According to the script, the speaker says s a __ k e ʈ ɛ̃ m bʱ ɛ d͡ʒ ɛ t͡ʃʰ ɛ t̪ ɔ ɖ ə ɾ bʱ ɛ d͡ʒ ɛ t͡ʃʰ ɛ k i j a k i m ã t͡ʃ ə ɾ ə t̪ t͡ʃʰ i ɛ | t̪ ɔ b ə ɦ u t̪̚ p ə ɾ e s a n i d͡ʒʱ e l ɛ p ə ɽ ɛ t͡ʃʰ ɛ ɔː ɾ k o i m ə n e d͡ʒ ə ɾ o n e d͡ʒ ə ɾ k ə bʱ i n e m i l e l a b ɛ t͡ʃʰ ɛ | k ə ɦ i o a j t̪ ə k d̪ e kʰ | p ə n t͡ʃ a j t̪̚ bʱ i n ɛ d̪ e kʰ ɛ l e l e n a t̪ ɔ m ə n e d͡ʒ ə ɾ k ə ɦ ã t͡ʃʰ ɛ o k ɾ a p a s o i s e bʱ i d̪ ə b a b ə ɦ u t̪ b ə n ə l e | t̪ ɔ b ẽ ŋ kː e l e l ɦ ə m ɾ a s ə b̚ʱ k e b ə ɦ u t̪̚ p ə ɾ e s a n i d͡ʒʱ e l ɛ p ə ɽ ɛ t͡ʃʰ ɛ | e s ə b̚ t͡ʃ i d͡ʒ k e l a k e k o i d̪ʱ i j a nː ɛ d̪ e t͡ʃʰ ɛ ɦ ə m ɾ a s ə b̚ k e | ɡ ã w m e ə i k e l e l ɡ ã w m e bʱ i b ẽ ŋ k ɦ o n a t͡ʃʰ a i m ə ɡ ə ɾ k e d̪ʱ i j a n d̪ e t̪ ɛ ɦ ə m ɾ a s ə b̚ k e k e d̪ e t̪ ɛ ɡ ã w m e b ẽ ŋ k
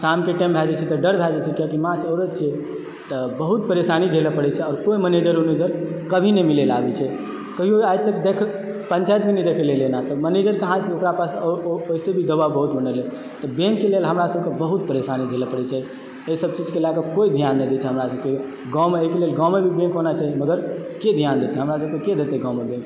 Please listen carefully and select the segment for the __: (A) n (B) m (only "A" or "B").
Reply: B